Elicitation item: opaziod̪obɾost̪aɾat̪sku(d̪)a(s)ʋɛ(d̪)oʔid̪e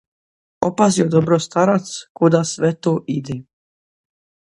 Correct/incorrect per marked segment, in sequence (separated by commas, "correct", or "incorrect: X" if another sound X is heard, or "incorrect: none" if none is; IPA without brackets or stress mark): correct, correct, incorrect: t̪